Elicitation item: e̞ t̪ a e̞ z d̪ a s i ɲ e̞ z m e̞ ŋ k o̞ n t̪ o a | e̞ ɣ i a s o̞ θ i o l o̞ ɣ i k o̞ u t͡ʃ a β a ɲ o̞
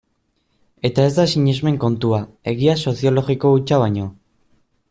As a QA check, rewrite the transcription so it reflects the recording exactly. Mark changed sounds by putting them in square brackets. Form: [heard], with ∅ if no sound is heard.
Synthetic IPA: e̞ t̪ a e̞ z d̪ a s i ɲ e̞ z m e̞ ŋ k o̞ n t̪ [u] a | e̞ ɣ i a s o̞ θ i o l o̞ ɣ i k o̞ u t͡ʃ a β a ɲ o̞

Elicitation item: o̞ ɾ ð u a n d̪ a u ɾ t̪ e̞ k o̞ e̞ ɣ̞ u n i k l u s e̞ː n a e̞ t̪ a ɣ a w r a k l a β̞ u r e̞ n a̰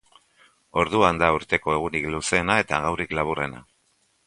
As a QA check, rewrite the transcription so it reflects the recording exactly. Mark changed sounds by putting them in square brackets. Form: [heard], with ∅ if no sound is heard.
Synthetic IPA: o̞ ɾ ð u a n d̪ a u ɾ t̪ e̞ k o̞ e̞ ɣ̞ u n i k l u s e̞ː n a e̞ t̪ a ɣ a w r [i] k l a β̞ u r e̞ n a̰

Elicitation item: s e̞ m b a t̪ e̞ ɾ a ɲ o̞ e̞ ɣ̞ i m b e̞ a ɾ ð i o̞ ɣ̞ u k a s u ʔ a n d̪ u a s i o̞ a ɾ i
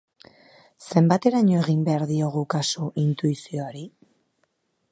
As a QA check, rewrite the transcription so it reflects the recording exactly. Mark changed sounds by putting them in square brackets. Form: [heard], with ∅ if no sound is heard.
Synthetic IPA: s e̞ m b a t̪ e̞ ɾ a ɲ o̞ e̞ ɣ̞ i m b e̞ a ɾ ð i o̞ ɣ̞ u k a s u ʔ [i] n [t̪] u [i] s i o̞ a ɾ i

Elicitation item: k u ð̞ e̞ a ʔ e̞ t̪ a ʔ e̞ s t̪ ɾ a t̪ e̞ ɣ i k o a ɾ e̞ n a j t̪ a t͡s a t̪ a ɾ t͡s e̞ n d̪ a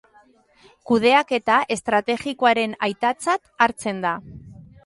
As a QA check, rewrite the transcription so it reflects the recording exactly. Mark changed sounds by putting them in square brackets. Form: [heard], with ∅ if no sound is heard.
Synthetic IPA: k u ð̞ e̞ a [k] e̞ t̪ a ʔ e̞ s t̪ ɾ a t̪ e̞ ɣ i k o a ɾ e̞ n a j t̪ a t͡s a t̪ a ɾ t͡s e̞ n d̪ a

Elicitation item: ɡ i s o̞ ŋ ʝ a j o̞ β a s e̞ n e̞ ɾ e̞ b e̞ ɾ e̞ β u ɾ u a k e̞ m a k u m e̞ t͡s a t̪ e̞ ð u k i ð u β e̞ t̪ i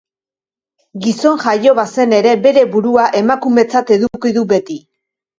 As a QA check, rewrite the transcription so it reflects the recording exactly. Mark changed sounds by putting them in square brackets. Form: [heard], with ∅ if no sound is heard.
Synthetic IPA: ɡ i s o̞ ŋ ʝ a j o̞ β a s e̞ n e̞ ɾ e̞ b e̞ ɾ e̞ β u ɾ u a [ʔ] e̞ m a k u m e̞ t͡s a t̪ e̞ ð u k i ð u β e̞ t̪ i

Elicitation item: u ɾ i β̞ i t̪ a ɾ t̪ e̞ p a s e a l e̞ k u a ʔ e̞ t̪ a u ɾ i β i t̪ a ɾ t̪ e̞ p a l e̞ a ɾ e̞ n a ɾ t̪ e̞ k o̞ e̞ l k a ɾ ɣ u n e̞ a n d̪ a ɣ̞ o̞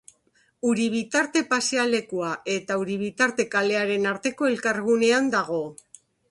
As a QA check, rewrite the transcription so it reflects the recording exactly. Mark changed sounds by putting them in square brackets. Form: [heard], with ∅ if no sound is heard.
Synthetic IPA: u ɾ i β̞ i t̪ a ɾ t̪ e̞ p a s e a l e̞ k u a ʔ e̞ t̪ a u ɾ i β i t̪ a ɾ t̪ e̞ [k] a l e̞ a ɾ e̞ n a ɾ t̪ e̞ k o̞ e̞ l k a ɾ ɣ u n e̞ a n d̪ a ɣ̞ o̞

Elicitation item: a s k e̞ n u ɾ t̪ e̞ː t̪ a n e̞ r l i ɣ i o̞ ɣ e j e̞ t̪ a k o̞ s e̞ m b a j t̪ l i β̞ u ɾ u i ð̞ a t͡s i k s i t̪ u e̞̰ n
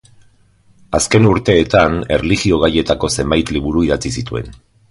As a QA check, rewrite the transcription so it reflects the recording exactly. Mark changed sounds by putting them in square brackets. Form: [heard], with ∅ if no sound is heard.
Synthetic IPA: a s k e̞ n u ɾ t̪ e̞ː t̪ a n e̞ r l i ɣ i o̞ ɣ [a] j e̞ t̪ a k o̞ s e̞ m b a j t̪ l i β̞ u ɾ u i ð̞ a t͡s i [∅] s i t̪ u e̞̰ n

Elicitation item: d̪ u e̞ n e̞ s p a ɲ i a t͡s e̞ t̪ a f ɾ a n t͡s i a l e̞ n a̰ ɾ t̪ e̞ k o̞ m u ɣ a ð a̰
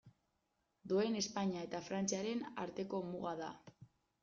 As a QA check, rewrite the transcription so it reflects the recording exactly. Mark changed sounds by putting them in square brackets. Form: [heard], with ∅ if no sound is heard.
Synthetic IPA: d̪ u e̞ n e̞ s p a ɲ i a [∅] e̞ t̪ a f ɾ a n t͡s i a [ɾ] e̞ n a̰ ɾ t̪ e̞ k o̞ m u ɣ a ð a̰

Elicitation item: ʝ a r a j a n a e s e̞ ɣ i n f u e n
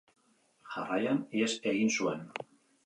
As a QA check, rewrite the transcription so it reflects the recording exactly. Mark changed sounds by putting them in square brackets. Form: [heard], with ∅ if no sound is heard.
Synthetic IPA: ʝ a r a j a n [i] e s e̞ ɣ i n [s] u e n

